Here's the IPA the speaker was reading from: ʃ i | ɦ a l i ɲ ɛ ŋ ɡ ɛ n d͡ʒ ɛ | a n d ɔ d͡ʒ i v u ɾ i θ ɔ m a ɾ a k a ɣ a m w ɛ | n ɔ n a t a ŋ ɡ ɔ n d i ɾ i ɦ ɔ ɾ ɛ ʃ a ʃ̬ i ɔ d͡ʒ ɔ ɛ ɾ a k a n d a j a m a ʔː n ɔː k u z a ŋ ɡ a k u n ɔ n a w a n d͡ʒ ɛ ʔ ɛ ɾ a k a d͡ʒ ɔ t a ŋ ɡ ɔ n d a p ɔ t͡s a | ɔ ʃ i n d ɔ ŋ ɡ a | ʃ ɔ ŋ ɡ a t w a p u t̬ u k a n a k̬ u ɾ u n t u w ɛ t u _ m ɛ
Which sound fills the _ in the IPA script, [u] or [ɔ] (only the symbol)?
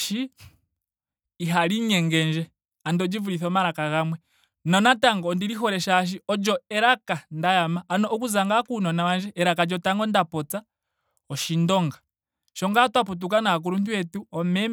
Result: ɔ